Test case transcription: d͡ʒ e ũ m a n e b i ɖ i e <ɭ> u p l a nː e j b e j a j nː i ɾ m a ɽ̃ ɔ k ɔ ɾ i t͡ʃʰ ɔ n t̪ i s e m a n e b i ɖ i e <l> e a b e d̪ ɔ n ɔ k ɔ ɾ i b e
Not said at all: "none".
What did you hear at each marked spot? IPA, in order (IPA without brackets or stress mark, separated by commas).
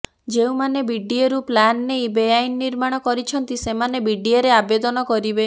ɾ, ɾ